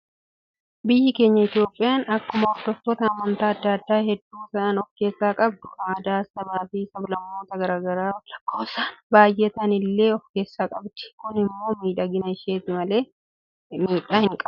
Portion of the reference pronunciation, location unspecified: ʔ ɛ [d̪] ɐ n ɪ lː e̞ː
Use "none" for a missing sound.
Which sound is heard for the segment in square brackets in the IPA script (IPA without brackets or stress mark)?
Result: t̪